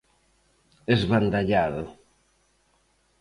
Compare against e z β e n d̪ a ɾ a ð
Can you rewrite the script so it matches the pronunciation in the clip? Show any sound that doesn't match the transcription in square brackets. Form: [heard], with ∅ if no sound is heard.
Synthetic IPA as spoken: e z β [a] n d̪ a [ʎ] a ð